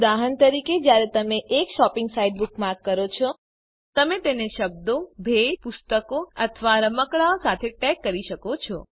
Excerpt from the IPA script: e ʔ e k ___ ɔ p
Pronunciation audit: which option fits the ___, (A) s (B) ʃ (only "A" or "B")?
B